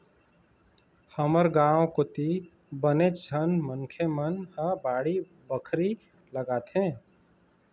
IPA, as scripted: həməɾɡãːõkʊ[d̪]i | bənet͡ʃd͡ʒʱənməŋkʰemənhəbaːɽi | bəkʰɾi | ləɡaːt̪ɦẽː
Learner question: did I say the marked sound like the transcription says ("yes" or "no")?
no